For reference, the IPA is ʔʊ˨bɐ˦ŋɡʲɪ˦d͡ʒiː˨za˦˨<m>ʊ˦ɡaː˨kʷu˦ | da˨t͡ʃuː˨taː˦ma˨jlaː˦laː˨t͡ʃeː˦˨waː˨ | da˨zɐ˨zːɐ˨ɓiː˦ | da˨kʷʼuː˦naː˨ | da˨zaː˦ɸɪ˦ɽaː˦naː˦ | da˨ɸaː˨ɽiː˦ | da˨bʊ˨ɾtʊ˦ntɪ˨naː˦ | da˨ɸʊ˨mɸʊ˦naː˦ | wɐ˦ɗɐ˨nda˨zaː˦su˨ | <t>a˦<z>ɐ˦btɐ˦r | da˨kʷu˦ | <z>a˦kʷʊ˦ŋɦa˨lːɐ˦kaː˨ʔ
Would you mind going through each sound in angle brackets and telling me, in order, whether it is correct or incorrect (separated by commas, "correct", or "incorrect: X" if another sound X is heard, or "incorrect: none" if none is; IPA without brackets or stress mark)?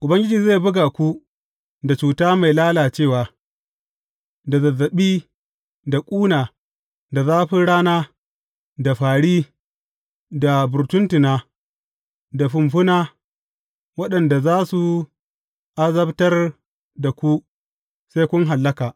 incorrect: b, incorrect: ʔ, correct, incorrect: s